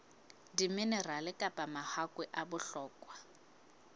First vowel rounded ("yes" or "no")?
no